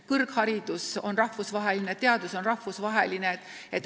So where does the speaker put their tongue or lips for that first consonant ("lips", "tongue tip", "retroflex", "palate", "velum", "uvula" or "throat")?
velum